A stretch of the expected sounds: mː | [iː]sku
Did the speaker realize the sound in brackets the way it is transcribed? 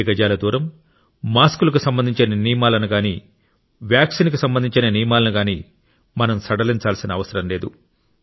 no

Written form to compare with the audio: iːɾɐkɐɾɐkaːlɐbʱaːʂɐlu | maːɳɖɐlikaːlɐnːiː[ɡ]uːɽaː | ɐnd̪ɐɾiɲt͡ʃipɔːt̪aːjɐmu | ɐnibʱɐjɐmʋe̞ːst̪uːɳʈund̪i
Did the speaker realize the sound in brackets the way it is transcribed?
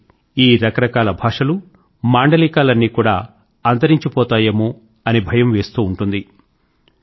no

